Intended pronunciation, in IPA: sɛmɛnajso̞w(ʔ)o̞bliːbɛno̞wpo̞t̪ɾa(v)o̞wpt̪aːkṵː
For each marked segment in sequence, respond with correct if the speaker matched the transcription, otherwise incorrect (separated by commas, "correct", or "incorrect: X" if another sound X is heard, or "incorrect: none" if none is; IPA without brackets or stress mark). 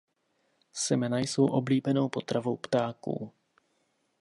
correct, correct